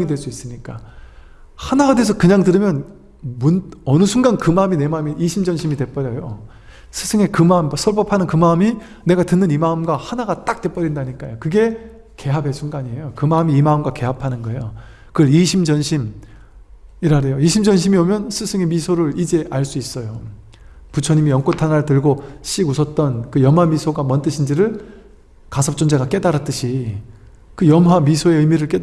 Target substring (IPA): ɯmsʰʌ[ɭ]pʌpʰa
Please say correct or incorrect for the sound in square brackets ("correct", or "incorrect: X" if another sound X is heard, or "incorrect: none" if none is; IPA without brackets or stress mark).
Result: correct